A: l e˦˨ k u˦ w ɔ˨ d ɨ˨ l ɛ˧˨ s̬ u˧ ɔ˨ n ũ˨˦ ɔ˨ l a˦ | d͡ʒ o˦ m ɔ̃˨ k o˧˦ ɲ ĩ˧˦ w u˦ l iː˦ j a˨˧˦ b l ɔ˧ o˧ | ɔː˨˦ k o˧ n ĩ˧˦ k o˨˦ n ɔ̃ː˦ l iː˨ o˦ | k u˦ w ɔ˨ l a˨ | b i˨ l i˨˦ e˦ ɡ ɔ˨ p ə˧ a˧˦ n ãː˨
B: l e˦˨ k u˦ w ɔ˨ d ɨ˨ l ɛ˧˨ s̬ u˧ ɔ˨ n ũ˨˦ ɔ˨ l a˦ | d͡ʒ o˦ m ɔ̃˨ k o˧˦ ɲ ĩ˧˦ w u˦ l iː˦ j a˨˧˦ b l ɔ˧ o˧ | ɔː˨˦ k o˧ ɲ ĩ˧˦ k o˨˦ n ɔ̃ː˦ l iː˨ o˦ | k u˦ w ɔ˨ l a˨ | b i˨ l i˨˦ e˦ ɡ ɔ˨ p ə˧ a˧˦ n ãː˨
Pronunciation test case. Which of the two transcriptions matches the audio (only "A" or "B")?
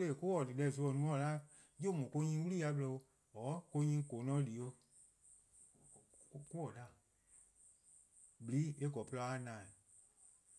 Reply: B